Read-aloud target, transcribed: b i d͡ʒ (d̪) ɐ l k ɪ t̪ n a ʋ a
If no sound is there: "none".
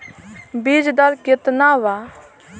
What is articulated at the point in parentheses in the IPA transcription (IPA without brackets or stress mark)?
d̪